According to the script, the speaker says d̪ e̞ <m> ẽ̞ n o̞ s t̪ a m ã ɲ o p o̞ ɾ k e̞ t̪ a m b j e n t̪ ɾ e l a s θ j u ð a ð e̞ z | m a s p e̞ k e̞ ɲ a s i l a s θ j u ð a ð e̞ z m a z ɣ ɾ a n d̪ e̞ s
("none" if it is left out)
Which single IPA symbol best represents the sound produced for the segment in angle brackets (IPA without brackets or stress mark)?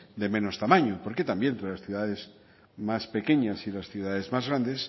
m